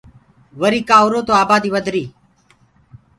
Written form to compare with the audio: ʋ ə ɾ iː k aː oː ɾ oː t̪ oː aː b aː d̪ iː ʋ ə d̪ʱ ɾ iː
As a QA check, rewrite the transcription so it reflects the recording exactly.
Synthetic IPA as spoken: ʋ ə ɾ iː k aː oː ɾ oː t̪ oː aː b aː d̪ iː ʋ ə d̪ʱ ɾ iː